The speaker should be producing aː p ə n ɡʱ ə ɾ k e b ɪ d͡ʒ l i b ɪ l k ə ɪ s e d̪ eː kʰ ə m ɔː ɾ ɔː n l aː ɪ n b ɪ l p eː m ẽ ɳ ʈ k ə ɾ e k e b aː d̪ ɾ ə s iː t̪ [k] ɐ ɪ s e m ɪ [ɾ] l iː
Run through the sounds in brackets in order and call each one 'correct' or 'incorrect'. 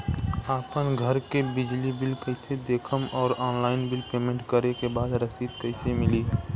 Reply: correct, incorrect

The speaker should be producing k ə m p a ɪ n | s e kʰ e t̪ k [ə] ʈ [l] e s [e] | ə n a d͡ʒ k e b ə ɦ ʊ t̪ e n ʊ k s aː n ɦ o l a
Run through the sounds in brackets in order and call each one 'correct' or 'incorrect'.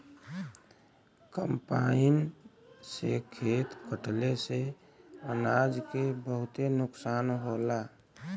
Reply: correct, correct, correct

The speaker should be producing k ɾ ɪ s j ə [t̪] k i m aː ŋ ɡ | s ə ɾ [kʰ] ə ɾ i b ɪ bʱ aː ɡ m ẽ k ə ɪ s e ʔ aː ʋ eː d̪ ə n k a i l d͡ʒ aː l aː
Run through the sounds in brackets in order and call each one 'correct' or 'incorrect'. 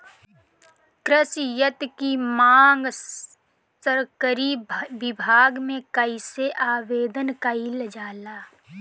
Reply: correct, incorrect

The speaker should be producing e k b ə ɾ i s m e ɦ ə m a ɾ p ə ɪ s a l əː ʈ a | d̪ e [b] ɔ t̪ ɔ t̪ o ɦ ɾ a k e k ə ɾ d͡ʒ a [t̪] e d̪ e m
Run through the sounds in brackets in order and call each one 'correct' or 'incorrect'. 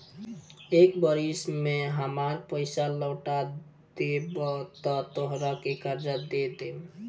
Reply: correct, incorrect

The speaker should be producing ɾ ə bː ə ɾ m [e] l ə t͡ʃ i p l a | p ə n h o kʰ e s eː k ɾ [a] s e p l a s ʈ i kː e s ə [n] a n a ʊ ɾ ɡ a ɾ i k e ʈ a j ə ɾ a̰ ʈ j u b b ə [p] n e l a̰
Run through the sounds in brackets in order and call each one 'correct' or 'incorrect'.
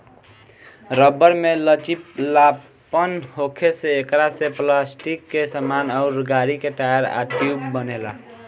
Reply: correct, correct, incorrect, incorrect

